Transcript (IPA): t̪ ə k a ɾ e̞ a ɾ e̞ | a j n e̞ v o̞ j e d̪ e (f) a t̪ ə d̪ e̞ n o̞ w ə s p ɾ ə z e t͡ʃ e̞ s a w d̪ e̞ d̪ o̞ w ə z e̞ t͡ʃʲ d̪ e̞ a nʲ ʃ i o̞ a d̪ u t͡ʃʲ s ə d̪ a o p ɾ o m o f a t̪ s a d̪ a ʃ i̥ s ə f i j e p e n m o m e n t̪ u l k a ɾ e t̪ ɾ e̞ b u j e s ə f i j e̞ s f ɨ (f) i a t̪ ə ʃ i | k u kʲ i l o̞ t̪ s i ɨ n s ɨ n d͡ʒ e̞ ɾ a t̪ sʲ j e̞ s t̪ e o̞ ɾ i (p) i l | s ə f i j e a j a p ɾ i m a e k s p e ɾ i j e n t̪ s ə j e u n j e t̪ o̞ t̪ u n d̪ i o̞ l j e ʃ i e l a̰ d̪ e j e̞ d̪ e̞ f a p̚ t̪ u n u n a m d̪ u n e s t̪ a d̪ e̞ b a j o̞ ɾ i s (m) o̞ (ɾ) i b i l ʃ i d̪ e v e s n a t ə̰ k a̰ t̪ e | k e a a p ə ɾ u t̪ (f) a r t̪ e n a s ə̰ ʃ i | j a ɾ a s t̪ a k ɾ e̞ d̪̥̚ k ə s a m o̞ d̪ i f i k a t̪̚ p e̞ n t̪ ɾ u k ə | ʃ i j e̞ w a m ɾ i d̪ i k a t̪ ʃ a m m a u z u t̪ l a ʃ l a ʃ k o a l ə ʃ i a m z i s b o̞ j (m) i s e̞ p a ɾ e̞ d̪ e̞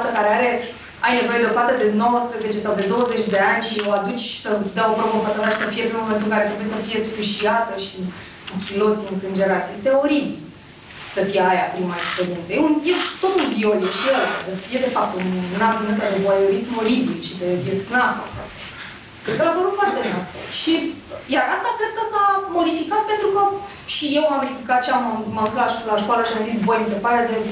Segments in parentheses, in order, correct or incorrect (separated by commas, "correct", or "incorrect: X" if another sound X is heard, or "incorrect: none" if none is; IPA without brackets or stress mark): correct, incorrect: ʃ, incorrect: b, correct, correct, correct, correct